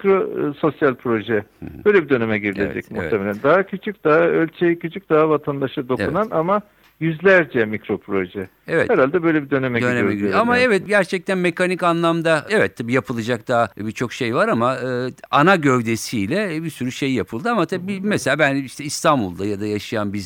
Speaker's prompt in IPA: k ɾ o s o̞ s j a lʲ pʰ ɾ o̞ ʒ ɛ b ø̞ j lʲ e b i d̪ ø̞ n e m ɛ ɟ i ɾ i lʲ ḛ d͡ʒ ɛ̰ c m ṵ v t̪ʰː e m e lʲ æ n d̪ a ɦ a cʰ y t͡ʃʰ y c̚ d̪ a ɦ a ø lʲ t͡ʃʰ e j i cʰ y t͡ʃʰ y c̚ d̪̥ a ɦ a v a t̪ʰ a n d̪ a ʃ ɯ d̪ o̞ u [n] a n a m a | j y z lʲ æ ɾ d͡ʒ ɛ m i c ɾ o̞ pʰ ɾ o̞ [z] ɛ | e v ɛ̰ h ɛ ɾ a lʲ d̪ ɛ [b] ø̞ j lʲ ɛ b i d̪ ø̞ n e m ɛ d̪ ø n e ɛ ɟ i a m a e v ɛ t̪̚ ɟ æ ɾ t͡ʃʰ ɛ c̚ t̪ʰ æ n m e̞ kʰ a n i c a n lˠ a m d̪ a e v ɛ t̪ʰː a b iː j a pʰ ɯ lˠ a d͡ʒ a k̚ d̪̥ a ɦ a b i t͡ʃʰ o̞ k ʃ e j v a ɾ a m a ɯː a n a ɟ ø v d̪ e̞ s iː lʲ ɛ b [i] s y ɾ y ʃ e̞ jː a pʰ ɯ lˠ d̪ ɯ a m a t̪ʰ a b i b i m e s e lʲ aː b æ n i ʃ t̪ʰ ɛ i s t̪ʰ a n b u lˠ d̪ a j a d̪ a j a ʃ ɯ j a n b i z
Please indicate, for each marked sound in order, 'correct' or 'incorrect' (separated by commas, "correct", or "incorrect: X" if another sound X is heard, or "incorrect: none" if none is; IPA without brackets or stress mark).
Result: correct, incorrect: ʒ, correct, correct